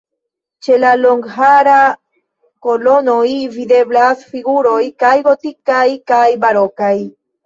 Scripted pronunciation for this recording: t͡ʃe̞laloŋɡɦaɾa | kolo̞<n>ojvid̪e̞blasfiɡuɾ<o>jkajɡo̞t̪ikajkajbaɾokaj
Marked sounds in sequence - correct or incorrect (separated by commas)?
correct, correct